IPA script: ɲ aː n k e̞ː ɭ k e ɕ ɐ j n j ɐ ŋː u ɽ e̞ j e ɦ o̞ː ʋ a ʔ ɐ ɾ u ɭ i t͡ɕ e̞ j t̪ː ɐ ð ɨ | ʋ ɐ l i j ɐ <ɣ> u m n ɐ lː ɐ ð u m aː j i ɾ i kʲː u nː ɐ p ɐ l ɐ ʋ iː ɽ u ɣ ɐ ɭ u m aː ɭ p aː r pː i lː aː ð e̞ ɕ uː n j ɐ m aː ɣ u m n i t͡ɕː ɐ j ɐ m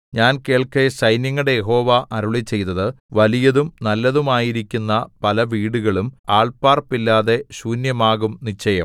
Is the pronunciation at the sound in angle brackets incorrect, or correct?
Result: incorrect